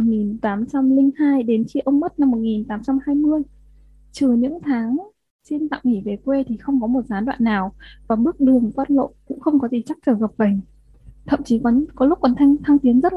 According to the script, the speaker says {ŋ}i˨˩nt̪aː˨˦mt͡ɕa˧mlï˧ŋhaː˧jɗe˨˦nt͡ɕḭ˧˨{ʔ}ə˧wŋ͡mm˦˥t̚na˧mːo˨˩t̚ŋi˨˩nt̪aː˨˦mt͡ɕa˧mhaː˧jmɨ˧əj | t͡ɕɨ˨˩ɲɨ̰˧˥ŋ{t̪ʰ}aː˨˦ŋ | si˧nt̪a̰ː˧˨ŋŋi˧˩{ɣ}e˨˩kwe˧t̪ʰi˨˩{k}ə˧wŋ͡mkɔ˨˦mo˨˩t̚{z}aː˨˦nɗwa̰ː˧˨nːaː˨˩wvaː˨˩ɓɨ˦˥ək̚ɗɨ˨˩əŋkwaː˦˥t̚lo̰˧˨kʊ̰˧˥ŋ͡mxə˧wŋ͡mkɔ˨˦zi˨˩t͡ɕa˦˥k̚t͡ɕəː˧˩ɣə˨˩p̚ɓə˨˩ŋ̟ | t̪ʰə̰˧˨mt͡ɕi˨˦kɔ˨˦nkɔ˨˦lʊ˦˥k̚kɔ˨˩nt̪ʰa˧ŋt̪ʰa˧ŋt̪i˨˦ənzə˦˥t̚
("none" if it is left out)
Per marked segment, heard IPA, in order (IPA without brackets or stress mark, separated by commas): ŋ, ʔ, t̪ʰ, v, x, z